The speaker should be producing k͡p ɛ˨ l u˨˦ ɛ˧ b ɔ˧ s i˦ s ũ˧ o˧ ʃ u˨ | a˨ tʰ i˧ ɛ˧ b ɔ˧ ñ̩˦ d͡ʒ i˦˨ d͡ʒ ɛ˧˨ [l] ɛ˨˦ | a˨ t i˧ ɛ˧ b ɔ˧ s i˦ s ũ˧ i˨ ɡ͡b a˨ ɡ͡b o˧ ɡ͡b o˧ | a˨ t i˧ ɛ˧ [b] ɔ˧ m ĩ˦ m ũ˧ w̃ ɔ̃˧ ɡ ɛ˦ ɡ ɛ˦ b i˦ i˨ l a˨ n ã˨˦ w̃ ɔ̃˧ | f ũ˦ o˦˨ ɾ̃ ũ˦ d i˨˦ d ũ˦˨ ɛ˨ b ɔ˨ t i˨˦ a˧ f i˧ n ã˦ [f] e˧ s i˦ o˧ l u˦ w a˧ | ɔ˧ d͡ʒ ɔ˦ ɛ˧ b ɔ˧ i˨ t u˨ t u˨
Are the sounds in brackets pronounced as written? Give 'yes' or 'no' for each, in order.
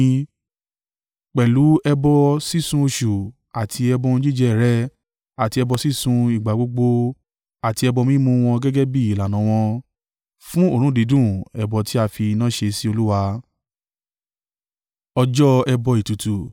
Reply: no, yes, no

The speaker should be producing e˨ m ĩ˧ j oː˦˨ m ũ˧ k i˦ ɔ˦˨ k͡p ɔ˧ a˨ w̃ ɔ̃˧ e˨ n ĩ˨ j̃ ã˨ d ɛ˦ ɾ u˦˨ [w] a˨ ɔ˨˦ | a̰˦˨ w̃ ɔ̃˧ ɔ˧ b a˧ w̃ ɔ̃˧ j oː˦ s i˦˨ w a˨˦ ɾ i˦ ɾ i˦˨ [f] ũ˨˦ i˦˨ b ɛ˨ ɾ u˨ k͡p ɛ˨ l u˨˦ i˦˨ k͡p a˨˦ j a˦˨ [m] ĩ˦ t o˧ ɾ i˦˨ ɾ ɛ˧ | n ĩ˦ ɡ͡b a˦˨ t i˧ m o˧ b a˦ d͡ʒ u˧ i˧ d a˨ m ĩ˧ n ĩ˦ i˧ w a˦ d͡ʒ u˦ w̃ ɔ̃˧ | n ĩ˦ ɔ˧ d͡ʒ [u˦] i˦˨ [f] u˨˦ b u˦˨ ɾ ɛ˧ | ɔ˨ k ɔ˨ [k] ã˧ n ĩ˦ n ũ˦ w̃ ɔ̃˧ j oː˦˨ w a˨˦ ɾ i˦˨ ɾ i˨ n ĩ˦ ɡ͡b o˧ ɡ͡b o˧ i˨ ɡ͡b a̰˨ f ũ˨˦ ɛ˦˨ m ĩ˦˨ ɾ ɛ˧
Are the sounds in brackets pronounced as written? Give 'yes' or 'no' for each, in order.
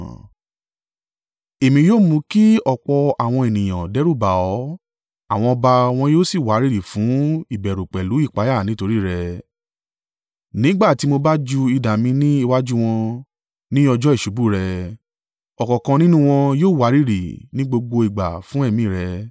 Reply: no, yes, no, no, no, yes

